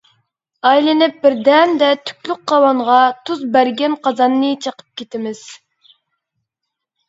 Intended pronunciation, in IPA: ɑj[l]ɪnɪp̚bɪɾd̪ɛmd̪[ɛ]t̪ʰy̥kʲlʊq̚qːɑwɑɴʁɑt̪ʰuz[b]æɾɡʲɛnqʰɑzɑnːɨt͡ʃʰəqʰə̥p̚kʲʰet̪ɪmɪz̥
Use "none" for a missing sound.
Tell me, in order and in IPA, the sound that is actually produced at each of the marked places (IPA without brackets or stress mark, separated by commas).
l, ɛ, b